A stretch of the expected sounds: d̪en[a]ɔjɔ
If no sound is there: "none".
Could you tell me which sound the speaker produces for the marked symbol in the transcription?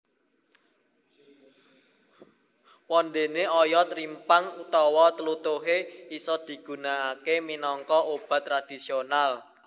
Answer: e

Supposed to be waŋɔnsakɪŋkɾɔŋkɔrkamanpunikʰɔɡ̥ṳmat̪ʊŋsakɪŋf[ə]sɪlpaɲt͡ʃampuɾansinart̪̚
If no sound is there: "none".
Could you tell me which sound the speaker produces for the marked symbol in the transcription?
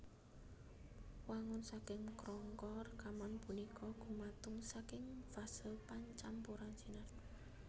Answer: a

